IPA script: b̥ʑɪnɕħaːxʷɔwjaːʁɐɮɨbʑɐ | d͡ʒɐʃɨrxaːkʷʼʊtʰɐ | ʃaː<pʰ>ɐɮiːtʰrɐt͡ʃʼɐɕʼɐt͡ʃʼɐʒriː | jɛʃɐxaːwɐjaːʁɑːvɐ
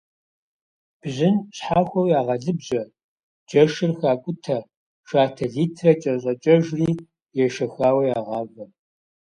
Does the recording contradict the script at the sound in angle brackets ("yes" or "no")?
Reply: yes